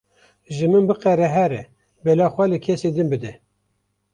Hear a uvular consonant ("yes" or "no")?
yes